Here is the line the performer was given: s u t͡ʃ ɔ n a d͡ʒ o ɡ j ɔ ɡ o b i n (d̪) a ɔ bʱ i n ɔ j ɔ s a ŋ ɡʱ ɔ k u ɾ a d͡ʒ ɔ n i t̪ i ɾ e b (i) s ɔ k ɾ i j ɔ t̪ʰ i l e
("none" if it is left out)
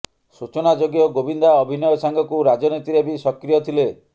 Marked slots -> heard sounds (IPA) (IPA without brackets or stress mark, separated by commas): d̪, i